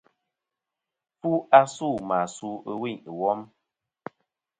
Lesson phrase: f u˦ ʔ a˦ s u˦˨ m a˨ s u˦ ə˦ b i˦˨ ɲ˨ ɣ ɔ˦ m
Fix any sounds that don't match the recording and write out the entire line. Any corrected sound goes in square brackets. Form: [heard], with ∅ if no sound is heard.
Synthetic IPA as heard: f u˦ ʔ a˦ s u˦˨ m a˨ s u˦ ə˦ [w] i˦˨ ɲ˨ [w] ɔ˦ m